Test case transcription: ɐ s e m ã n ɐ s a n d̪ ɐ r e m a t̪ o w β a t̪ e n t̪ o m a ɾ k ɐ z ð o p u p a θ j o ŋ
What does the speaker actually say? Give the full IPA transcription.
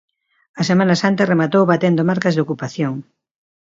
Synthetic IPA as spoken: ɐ s e m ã n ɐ s a n t̪ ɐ r e m a t̪ o w β a t̪ e n d̪ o m a ɾ k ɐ z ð o k u p a θ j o ŋ

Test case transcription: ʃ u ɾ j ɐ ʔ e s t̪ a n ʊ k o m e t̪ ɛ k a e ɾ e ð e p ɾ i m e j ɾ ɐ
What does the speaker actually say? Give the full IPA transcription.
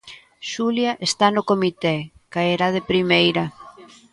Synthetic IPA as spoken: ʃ u l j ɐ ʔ e s t̪ a n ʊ k o m i t̪ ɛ k a e ɾ a ð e p ɾ i m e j ɾ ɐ

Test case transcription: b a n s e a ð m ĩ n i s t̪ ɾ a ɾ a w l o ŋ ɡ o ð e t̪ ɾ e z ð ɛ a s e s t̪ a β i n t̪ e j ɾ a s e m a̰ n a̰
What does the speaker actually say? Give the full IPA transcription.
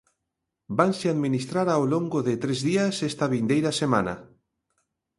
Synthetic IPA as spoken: b a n s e a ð m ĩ n i s t̪ ɾ a ɾ a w l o ŋ ɡ o ð e t̪ ɾ e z ð i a s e s t̪ a β i n d̪ e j ɾ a s e m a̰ n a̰

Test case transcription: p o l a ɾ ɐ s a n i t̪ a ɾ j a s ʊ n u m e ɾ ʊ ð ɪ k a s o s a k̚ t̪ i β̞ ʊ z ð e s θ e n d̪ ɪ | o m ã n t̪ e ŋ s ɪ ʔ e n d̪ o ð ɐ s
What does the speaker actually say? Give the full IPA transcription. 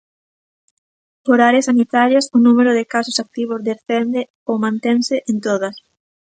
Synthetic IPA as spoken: p o ɾ a ɾ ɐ s a n i t̪ a ɾ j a s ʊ n u m e ɾ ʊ ð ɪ k a s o s a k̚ t̪ i β̞ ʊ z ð e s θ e n d̪ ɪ | o m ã n t̪ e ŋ s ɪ ʔ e n t̪ o ð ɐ s

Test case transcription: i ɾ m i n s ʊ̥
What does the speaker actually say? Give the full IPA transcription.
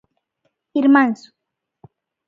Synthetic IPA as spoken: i ɾ m a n s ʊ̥

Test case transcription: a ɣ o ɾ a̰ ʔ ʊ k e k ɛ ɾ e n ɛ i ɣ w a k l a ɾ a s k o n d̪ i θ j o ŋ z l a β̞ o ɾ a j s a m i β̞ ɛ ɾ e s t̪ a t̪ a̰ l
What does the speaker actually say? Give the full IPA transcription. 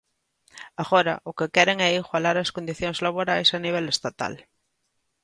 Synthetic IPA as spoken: a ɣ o ɾ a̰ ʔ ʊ k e k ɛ ɾ e ŋ ɛ i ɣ w a l a ɾ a s k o n d̪ i θ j o ŋ z l a β̞ o ɾ a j s a n i β̞ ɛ l e s t̪ a t̪ a̰ l

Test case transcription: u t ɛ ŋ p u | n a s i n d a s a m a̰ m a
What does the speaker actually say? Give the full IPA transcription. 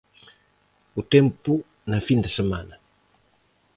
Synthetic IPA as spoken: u t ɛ m p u | n a f i n d a s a m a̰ n a

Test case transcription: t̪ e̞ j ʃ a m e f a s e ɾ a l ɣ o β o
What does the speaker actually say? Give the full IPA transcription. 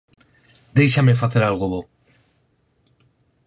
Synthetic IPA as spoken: d̪ e̞ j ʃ a m e f a θ e ɾ a l ɣ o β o

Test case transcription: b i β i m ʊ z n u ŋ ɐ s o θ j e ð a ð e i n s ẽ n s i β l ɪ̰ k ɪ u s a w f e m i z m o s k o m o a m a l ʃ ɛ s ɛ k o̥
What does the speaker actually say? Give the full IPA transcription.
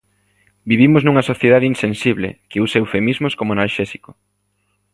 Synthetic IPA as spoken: b i β i m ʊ z n u ŋ ɐ s o θ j e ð a ð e i n s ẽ n s i β l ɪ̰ k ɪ u s e w f e m i z m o s k o m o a n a l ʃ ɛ s i k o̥

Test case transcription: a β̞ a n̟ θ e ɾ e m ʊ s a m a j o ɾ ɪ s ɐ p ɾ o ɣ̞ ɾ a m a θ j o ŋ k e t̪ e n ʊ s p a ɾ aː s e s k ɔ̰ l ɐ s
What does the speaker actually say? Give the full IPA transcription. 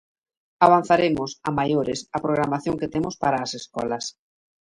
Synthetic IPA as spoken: a β̞ a n̟ θ a ɾ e m ʊ s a m a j o ɾ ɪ s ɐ p ɾ o ɣ̞ ɾ a m a θ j o ŋ k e t̪ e m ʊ s p a ɾ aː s e s k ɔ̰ l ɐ s

